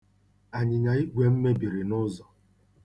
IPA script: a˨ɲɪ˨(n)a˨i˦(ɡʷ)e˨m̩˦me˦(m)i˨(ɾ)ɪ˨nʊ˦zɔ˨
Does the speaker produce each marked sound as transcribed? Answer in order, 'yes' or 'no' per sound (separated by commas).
no, yes, no, yes